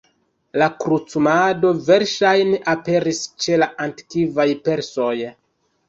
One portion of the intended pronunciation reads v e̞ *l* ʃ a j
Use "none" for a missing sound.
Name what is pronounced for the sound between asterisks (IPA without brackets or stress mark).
ɾ